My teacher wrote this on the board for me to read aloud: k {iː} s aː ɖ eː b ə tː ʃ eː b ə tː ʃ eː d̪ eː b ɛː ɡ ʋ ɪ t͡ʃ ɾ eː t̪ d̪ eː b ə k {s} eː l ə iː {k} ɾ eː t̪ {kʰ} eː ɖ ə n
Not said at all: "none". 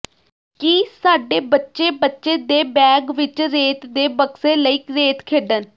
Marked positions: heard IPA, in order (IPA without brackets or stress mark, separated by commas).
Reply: iː, s, k, kʰ